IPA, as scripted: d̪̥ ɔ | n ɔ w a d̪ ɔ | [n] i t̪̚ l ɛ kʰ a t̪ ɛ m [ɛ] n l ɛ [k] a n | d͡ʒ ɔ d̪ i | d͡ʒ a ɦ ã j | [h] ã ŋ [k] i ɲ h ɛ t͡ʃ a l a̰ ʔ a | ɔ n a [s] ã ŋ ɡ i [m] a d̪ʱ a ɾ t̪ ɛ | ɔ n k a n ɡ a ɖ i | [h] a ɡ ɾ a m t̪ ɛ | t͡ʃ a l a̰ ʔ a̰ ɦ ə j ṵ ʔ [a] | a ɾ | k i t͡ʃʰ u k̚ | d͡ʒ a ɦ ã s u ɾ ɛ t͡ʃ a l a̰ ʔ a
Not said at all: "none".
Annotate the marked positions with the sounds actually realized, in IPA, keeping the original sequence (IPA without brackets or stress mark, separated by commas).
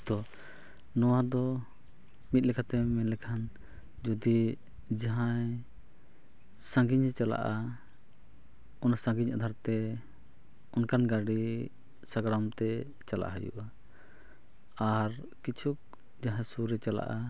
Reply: m, ɛ, kʰ, s, ɡ, s, ɲ, s, a